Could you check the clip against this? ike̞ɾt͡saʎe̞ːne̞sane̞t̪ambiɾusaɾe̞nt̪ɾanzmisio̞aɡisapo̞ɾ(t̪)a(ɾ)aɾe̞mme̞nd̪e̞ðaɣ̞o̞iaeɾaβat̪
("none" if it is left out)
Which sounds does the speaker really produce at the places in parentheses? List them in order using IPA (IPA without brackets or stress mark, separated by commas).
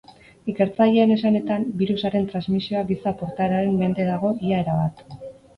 t̪, ɾ